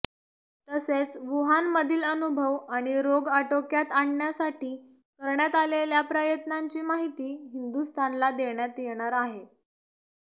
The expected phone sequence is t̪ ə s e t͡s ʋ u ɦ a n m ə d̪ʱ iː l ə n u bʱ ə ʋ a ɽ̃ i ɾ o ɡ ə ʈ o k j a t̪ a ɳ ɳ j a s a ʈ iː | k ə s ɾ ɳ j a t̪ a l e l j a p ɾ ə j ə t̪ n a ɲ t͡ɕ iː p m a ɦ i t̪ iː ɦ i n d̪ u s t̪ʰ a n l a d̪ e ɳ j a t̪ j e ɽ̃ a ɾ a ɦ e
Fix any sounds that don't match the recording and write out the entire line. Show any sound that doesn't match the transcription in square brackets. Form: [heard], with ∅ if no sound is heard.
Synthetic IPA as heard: t̪ ə s e t͡s ʋ u ɦ a n m ə d̪ʱ iː l ə n u bʱ ə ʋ a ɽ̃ i ɾ o ɡ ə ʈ o k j a t̪ a ɳ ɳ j a s a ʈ iː | k ə [∅] ɾ ɳ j a t̪ a l e l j a p ɾ ə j ə t̪ n a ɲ t͡ɕ iː [∅] m a ɦ i t̪ iː ɦ i n d̪ u s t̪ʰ a n l a d̪ e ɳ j a t̪ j e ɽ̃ a ɾ a ɦ e

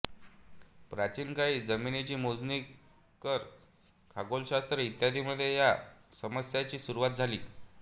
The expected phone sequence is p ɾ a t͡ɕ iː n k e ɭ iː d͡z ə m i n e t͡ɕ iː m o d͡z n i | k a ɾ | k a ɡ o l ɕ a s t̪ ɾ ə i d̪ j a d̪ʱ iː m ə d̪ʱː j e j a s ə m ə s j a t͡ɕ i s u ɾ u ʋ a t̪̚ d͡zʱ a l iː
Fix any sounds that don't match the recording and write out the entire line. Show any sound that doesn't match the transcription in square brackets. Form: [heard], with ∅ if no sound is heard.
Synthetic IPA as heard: p ɾ a t͡ɕ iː n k [a] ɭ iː d͡z ə m i n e t͡ɕ iː m o d͡z n i | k [ə] ɾ | [kʰ] a ɡ o l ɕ a s t̪ ɾ ə i [t̪] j a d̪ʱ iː m ə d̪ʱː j e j a s ə m ə s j a t͡ɕ [iː] s u ɾ u ʋ a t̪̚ d͡zʱ a l iː

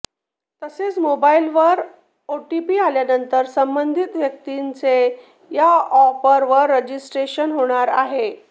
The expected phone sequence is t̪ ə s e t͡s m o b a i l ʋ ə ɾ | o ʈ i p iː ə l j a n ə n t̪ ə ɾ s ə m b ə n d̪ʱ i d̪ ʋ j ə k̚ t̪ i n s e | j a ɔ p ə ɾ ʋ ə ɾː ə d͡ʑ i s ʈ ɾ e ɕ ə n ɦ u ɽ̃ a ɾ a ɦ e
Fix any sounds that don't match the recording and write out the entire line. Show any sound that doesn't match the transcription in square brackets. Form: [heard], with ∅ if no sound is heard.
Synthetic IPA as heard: t̪ ə s e t͡s m o b a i l ʋ ə ɾ | o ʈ i p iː [a] l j a n ə n t̪ ə ɾ s ə m b ə n d̪ʱ i [t̪] ʋ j ə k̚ t̪ i n [t͡s] e | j a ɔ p ə ɾ ʋ ə ɾː ə d͡ʑ i s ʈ ɾ e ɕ ə n ɦ [o] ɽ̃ a ɾ a ɦ e

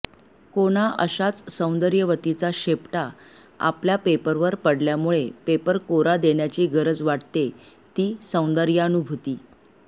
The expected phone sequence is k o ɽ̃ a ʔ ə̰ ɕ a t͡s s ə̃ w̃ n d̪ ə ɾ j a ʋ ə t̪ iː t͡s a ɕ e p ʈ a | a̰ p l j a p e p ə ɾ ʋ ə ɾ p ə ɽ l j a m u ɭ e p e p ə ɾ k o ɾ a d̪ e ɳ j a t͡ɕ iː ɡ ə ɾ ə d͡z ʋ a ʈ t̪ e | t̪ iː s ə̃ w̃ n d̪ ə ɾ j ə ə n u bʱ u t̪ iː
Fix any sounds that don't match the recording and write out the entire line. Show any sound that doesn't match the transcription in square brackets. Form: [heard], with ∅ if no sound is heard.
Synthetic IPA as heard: k o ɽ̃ a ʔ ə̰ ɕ a t͡s s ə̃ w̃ n d̪ ə ɾ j [ə] ʋ ə t̪ [i] t͡s a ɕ e p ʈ a | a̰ p l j a p e p ə ɾ ʋ ə ɾ p ə ɽ l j a m u ɭ e p e p ə ɾ k o ɾ a d̪ e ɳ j a t͡ɕ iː ɡ ə ɾ ə d͡z ʋ a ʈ t̪ e | t̪ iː s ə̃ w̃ n d̪ ə ɾ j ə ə n u bʱ u t̪ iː

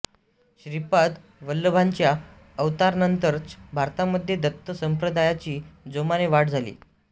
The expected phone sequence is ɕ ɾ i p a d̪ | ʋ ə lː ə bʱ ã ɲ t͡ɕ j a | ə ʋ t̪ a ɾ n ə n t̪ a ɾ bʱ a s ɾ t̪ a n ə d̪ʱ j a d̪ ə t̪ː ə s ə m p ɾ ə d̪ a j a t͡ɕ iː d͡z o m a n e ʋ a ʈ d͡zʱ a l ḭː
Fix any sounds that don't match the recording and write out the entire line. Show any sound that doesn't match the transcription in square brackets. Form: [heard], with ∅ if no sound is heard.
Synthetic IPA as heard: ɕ ɾ i p a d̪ | ʋ ə lː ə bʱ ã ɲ t͡ɕ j a | ə ʋ t̪ a ɾ n ə n t̪ [ə] ɾ bʱ a [∅] ɾ t̪ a [m] ə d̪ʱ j [e] d̪ ə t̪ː ə s ə m p ɾ ə d̪ a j a t͡ɕ iː d͡z o m a n e ʋ a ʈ d͡zʱ a l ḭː

